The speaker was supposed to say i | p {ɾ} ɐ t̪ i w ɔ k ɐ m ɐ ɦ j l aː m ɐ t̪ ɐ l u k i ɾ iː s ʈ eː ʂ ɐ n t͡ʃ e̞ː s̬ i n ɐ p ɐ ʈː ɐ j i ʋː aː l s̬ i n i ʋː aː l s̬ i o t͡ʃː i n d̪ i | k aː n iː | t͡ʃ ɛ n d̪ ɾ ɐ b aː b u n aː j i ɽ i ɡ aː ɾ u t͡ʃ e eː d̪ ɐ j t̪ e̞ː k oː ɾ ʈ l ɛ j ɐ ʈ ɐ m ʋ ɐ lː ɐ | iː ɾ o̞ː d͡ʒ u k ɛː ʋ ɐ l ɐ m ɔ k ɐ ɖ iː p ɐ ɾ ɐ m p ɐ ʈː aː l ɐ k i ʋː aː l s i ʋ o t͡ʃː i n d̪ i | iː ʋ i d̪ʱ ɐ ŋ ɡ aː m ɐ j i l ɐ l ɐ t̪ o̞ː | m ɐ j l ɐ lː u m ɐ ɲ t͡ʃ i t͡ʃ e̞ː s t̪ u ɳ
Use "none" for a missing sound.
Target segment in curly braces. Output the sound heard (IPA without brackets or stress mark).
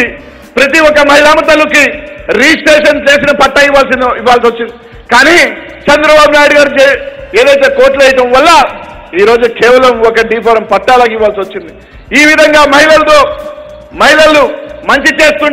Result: ɾ